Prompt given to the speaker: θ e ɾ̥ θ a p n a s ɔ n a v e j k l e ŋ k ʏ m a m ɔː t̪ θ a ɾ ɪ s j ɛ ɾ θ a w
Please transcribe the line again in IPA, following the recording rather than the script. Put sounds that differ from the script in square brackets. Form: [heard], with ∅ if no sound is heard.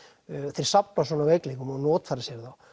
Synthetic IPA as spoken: θ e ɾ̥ [s] a p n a s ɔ n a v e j k l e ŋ k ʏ m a [n] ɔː t̪ [f] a ɾ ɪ s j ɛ ɾ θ a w